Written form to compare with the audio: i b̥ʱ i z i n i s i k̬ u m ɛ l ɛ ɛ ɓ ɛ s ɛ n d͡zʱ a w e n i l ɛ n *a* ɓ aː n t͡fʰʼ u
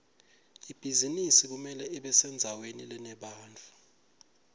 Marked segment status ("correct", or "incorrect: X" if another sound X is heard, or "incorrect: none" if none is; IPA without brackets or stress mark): incorrect: ɛ